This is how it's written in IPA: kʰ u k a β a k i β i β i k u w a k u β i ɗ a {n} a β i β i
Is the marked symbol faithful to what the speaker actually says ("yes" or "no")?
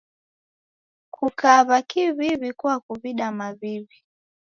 no